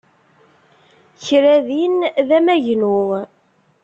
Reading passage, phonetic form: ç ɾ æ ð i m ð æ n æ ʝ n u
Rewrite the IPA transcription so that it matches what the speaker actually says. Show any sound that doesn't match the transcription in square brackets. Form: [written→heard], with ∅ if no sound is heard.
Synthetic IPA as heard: ç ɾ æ ð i [m→n] ð æ [n→m] æ ʝ n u